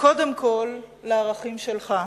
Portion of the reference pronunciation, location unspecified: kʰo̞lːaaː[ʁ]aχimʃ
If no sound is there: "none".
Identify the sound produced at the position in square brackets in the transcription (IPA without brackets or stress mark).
ʁ